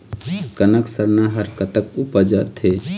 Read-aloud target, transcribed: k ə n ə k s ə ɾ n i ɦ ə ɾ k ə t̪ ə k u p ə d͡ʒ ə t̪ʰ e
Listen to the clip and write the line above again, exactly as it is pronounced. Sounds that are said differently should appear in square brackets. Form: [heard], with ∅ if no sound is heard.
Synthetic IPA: k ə n ə k s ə ɾ n [a] ɦ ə ɾ k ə t̪ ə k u p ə d͡ʒ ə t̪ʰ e